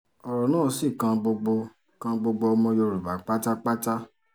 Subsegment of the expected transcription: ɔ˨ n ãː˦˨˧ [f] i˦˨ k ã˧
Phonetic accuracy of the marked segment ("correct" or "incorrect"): incorrect